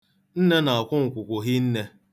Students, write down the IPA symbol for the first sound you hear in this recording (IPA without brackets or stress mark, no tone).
n̩